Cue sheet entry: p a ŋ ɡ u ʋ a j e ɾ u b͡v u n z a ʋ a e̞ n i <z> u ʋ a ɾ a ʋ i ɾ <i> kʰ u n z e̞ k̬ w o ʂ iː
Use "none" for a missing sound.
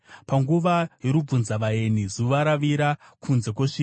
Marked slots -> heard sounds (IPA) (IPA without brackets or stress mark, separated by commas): z, a